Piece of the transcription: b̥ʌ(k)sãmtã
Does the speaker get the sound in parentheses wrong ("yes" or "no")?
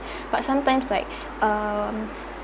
yes